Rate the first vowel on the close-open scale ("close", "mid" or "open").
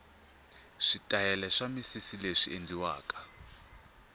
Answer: close